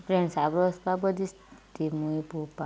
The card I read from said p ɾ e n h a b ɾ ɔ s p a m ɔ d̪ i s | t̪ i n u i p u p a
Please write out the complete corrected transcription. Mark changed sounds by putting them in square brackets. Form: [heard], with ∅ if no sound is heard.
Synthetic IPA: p ɾ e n [s] a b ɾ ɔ s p a [b] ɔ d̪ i s | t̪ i [m] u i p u p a